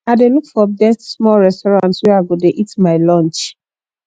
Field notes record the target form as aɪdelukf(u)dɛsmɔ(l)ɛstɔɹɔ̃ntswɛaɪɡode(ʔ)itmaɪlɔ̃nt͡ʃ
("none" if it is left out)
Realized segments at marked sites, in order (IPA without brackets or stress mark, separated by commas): ɔ, ɹ, ʔ